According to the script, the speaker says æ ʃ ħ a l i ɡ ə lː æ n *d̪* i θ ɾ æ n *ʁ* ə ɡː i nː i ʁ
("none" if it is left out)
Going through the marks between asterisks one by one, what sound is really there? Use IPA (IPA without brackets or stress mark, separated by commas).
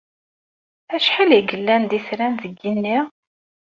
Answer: d̪, ð